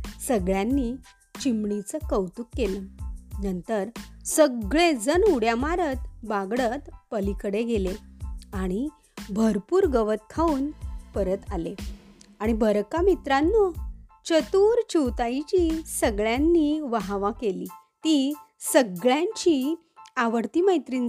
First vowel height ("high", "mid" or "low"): mid